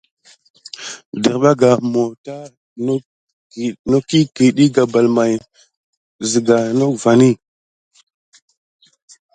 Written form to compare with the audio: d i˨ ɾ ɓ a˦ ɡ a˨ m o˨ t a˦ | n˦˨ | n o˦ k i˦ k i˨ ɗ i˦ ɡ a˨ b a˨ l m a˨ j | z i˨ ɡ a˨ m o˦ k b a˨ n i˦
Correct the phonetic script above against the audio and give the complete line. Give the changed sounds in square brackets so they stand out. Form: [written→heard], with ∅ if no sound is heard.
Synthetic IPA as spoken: d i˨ ɾ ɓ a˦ ɡ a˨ m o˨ t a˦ | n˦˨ | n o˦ k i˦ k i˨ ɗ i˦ ɡ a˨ b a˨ l m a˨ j | z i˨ ɡ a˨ [m→n] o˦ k [b→v] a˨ n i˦

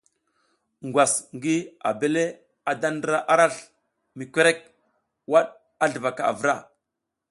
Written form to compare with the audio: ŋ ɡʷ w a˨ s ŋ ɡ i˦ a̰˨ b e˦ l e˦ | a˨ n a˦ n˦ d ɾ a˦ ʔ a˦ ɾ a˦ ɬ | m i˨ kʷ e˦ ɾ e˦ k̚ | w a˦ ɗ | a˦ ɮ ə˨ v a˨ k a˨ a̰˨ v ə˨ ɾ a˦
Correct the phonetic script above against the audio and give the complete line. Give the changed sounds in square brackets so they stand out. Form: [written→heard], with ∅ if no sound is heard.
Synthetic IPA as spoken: ŋ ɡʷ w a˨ s ŋ ɡ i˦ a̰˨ b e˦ l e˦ | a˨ [n→d] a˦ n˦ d ɾ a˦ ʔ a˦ ɾ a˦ ɬ | m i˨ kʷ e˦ ɾ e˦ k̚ | w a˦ ɗ | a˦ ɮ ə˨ v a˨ k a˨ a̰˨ v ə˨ ɾ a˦

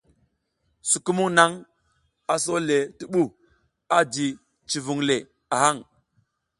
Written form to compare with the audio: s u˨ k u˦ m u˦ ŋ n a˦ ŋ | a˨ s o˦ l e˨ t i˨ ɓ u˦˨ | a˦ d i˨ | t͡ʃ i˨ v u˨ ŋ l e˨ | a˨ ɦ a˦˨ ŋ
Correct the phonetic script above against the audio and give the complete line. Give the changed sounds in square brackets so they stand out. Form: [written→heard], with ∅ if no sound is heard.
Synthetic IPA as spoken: s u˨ k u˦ m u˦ ŋ n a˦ ŋ | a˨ s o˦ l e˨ t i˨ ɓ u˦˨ | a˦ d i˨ | t͡ʃ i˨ v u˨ ŋ l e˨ | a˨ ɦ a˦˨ ŋ

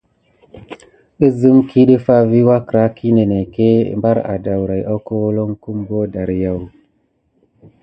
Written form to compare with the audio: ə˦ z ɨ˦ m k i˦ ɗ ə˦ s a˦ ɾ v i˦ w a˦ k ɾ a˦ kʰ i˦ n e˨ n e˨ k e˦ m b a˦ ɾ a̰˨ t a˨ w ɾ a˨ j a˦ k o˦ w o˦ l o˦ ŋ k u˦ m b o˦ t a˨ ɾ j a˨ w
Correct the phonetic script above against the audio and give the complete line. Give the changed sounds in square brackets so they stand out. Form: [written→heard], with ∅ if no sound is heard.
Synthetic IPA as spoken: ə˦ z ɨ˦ m k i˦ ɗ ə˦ [s→f] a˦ [ɾ→∅] v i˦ w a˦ k ɾ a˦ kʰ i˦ n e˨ n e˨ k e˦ m b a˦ ɾ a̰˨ [t→d] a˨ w ɾ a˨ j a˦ k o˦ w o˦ l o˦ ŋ k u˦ m b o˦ [t→d] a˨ ɾ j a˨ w

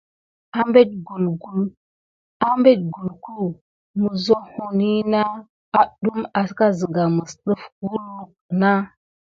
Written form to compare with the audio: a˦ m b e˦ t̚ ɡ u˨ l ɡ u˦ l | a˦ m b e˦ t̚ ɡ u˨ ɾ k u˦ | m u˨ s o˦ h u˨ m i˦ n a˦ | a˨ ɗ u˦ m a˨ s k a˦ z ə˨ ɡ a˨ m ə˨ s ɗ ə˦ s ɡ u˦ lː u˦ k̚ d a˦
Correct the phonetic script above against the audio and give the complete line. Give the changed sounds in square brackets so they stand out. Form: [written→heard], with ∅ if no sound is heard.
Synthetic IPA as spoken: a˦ m b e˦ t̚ ɡ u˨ l ɡ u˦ l | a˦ m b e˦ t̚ ɡ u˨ [ɾ→l] k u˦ | m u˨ [s→z] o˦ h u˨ [m→n] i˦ n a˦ | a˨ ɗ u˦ m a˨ s k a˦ z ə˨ ɡ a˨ m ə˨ s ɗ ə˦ [s→f] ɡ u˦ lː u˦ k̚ [d→n] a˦

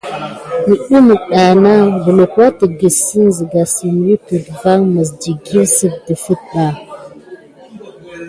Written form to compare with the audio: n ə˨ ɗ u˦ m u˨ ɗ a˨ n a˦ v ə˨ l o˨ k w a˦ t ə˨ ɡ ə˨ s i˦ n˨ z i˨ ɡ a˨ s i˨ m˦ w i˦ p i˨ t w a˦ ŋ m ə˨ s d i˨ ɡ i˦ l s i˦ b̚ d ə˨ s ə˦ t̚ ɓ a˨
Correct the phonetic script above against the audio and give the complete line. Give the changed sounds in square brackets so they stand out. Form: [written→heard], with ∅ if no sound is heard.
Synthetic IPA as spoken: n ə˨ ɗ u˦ m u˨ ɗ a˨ n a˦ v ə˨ l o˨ k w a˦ t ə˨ ɡ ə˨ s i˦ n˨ z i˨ ɡ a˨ s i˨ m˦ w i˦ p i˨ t [w→v] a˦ ŋ m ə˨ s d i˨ ɡ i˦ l s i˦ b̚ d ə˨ [s→f] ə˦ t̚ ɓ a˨

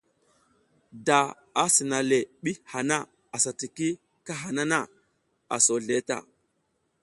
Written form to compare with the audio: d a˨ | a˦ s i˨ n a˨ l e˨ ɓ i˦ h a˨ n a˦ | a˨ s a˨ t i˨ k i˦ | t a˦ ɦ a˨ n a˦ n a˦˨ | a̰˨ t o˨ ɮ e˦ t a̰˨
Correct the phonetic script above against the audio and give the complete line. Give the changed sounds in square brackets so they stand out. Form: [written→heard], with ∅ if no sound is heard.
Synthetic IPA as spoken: d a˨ | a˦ s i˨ n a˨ l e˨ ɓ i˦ h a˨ n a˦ | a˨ s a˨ t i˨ k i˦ | [t→k] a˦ ɦ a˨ n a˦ n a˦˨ | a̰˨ [t→s] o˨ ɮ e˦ t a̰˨

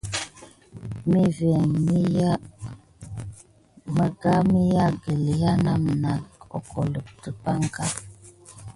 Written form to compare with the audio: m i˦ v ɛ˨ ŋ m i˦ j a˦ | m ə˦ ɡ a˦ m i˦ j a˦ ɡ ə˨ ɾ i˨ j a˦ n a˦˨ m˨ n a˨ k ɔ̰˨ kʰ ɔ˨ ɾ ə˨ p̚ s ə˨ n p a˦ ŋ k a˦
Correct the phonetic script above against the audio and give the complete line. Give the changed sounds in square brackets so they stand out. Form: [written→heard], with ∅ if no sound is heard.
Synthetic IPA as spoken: m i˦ v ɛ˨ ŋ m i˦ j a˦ | m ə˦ ɡ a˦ m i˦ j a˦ ɡ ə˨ [ɾ→l] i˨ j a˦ n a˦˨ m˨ n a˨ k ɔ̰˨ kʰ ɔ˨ [ɾ→l] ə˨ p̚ [s→t] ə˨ [n→∅] p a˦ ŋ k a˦

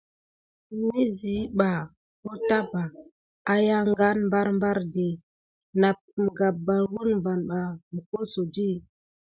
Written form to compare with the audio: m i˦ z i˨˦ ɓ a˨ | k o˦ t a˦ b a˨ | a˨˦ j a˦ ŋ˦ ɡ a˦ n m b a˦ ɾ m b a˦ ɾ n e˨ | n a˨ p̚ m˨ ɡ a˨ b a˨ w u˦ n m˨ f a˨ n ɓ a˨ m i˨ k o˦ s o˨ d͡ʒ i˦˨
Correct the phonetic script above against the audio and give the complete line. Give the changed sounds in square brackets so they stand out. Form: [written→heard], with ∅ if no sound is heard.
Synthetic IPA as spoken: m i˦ z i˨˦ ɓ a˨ | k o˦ t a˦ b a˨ | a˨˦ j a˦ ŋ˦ ɡ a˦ n m b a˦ ɾ m b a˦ ɾ [n→d] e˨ | n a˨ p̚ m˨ ɡ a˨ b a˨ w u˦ n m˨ [f→v] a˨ n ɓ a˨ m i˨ k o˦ s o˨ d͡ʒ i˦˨

